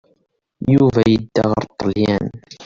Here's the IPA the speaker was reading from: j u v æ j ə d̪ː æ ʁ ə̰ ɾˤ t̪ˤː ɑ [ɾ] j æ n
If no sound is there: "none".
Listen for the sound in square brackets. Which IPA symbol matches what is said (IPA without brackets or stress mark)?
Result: l